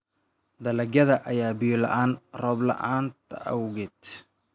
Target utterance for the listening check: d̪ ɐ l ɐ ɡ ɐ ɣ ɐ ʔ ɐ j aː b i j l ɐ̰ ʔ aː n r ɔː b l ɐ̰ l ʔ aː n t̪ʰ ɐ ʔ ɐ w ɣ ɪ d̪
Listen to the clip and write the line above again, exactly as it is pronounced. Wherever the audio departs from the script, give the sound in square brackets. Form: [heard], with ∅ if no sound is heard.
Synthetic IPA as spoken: d̪ ɐ l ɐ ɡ ɐ [ð] ɐ ʔ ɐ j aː b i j l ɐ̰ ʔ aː n r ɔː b l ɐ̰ [∅] ʔ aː n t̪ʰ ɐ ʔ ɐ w ɣ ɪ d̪